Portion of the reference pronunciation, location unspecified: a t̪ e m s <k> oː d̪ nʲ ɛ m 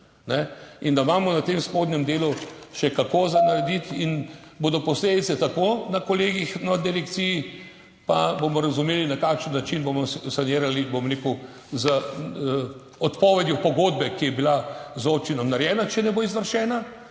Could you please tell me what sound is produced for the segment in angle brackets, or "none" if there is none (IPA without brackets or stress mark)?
p